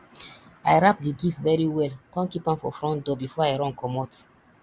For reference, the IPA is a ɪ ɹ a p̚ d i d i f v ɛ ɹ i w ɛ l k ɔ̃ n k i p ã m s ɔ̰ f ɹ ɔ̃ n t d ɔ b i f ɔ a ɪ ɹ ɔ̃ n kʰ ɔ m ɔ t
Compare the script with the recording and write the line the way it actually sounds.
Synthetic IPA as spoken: a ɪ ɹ a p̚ d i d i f v ɛ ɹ i w ɛ l k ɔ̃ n k i p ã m f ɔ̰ f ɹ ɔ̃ n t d ɔ b i f ɔ a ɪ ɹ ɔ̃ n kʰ ɔ m ɔ t